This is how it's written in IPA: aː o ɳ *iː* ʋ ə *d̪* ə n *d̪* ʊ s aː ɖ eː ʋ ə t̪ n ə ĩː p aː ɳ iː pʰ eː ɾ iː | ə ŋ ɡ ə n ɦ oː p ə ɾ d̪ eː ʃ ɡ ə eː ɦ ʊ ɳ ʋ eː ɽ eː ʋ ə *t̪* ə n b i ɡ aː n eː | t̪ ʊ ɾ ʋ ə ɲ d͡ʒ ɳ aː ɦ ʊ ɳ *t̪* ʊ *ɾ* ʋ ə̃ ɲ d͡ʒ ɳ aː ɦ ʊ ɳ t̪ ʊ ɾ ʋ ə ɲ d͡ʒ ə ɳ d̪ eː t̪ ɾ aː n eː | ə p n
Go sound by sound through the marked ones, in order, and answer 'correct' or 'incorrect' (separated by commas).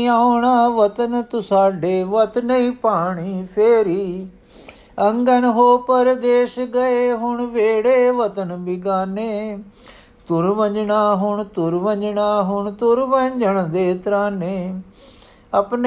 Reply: incorrect, incorrect, incorrect, correct, correct, correct